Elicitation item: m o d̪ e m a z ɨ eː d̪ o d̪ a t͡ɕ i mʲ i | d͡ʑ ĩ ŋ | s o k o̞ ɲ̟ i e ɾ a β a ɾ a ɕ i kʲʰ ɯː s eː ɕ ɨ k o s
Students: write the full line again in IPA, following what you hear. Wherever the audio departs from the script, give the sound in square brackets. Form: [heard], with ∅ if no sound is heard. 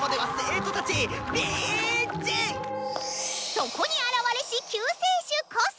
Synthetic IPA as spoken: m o d̪ e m a [s] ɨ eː [t̪] o [t̪] a t͡ɕ i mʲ i | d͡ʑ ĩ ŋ | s o k o̞ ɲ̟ i [a] ɾ a β a ɾ [e] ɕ i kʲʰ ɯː s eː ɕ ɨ k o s

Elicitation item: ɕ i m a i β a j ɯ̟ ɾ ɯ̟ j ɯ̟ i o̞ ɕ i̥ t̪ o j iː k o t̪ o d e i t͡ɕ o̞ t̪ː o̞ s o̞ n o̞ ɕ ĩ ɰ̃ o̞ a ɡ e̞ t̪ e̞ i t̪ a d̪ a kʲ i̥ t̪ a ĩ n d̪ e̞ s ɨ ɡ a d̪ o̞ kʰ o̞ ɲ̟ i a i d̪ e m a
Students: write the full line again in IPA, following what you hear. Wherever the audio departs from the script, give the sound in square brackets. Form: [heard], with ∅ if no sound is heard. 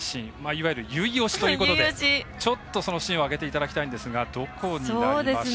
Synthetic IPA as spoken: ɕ [ĩ] m a i β a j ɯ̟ ɾ ɯ̟ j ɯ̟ i o̞ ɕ i̥ t̪ o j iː k o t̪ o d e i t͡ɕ o̞ t̪ː o̞ s o̞ n o̞ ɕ ĩ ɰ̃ o̞ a ɡ e̞ t̪ e̞ i t̪ a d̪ a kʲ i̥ t̪ a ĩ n d̪ e̞ s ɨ ɡ a d̪ o̞ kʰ o̞ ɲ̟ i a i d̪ e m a

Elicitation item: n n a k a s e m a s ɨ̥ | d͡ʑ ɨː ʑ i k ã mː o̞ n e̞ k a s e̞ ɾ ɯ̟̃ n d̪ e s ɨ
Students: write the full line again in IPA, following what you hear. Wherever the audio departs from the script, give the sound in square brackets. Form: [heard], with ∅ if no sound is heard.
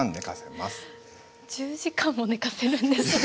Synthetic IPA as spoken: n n [e] k a s e m a s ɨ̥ | d͡ʑ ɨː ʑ i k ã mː o̞ n e̞ k a s e̞ ɾ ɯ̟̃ n d̪ e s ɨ

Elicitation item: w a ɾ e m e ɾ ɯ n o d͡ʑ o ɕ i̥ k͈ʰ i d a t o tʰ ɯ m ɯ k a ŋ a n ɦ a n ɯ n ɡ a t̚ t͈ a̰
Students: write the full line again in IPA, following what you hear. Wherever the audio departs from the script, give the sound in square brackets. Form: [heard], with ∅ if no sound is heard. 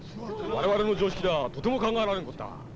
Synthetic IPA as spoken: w a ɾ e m [a] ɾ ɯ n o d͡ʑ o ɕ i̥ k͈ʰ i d a t o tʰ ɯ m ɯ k a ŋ a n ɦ a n ɯ n ɡ [ʌ] t̚ t͈ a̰

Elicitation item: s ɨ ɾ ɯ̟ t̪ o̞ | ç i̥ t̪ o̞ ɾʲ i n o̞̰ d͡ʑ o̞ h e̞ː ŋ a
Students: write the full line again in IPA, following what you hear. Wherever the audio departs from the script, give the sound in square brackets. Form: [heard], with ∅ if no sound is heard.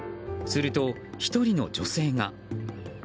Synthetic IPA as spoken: s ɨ ɾ ɯ̟ t̪ o̞ | ç i̥ t̪ o̞ ɾʲ i n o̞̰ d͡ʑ o̞ [s] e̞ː ŋ a

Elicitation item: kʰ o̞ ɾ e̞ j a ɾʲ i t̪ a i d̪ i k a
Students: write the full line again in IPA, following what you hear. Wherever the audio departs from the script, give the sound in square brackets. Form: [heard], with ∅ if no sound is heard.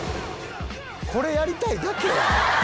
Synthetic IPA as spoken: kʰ o̞ ɾ e̞ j a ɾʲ i t̪ a i d̪ [a] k [e]

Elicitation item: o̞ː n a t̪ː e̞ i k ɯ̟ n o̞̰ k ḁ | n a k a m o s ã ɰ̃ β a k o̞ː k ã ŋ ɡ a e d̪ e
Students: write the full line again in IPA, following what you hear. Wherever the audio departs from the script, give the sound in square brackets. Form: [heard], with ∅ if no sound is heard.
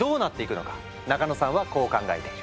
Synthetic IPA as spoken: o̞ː n a t̪ː e̞ i k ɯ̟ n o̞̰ k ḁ | n a k a [n] o s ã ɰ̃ β a k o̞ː k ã ŋ ɡ a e [t̪] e

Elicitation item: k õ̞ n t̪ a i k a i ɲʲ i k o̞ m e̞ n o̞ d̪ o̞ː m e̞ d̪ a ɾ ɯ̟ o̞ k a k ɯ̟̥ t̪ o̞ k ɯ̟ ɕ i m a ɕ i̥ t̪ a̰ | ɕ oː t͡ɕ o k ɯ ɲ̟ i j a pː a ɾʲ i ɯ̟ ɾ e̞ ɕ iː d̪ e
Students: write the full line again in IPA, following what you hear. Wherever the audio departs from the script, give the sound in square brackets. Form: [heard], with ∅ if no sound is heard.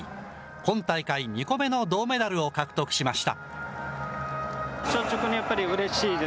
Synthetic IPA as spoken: k õ̞ n t̪ a i k a i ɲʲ i k o̞ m e̞ n o̞ d̪ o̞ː m e̞ d̪ a ɾ ɯ̟ o̞ k a k ɯ̟̥ t̪ o̞ k ɯ̟ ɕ i m a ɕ i̥ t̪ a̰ | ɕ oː t͡ɕ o k ɯ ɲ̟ i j a pː a ɾʲ i ɯ̟ ɾ e̞ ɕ iː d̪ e

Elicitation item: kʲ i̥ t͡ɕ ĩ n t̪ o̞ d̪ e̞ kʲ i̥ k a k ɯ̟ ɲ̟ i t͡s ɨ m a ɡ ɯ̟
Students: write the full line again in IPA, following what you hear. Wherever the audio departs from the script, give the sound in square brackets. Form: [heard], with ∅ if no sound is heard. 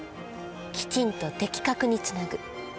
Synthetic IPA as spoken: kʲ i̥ t͡ɕ ĩ n t̪ o̞ [t̪] e̞ kʲ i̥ k a k ɯ̟ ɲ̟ i t͡s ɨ [n] a ɡ ɯ̟

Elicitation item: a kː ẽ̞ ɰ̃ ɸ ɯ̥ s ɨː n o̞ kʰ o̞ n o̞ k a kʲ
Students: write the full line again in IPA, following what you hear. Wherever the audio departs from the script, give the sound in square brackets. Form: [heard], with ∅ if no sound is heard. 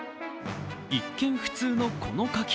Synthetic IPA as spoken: [i] kː ẽ̞ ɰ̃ ɸ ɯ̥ [t͡s] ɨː n o̞ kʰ o̞ n o̞ k a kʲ

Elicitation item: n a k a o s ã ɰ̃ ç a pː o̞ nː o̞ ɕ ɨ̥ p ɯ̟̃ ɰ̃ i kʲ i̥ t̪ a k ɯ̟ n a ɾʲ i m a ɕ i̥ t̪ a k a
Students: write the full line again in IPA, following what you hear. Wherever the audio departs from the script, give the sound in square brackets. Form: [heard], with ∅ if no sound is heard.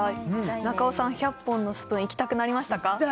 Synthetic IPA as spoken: n a k a o s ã ɰ̃ ç a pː [õ̞] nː o̞ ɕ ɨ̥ p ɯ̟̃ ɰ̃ i kʲ i̥ t̪ a k ɯ̟ n a ɾʲ i m a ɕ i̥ t̪ a k a

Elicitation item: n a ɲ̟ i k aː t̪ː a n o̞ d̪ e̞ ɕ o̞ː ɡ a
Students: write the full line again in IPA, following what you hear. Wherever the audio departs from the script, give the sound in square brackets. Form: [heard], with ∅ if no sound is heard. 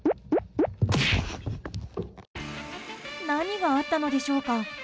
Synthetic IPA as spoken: n a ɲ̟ i [ɡ] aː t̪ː a n o̞ d̪ e̞ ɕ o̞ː [k] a

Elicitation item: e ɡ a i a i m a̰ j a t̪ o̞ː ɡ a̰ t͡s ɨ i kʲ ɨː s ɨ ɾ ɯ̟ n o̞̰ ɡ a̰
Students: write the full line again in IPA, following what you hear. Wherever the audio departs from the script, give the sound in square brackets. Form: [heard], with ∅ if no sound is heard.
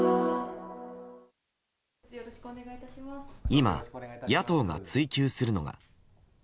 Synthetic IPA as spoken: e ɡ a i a i m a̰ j a t̪ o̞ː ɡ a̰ t͡s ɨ i kʲ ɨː s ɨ ɾ ɯ̟ n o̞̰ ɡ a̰

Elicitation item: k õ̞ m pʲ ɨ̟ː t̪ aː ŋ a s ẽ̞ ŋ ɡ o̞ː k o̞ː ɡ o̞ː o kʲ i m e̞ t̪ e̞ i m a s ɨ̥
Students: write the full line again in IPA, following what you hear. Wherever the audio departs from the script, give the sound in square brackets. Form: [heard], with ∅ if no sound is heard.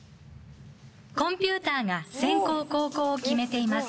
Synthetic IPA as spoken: k õ̞ m pʲ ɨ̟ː t̪ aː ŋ a s ẽ̞ ŋ [k] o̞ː k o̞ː [k] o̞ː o kʲ i m e̞ t̪ e̞ i m a s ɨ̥

